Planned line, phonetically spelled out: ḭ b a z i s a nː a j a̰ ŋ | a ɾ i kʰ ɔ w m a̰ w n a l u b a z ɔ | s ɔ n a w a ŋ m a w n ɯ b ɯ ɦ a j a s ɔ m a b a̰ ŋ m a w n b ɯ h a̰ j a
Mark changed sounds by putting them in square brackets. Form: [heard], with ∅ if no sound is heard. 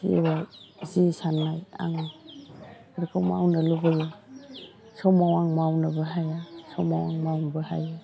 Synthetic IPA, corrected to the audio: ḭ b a z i s a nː a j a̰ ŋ | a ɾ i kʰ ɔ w m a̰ w n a l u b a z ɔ | s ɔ [m] a w a ŋ m a w n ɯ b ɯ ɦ a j a s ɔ m a [w] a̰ ŋ m a w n b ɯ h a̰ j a